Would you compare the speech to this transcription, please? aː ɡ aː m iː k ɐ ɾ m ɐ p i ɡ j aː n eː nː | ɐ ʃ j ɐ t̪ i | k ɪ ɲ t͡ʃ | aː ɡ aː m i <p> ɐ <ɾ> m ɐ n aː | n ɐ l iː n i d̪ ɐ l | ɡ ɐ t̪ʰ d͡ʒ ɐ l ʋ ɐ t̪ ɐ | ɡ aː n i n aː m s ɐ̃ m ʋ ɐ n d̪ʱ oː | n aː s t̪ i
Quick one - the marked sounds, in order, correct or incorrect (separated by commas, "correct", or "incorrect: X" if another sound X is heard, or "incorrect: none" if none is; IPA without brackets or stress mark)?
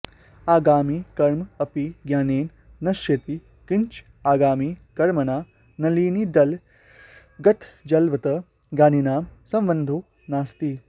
incorrect: k, correct